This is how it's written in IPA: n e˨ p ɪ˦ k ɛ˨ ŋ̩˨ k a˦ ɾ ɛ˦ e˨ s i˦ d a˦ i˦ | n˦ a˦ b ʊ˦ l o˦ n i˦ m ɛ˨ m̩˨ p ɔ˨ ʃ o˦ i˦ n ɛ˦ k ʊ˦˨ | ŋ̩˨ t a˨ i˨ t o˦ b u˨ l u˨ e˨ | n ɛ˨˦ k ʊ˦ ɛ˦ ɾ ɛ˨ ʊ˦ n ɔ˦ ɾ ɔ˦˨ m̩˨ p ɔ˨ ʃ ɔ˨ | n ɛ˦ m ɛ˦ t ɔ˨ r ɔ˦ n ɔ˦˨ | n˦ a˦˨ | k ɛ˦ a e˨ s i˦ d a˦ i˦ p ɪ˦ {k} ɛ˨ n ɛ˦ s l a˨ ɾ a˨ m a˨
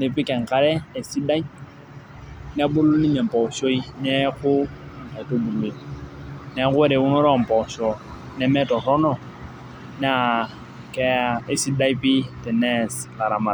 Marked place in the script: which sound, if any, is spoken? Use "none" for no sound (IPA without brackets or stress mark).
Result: t